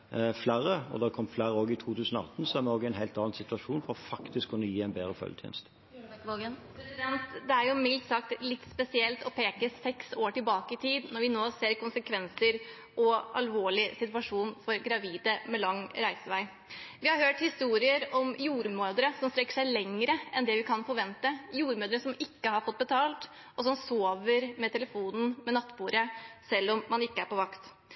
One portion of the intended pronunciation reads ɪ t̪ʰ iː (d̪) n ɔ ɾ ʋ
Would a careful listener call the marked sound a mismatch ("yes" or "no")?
no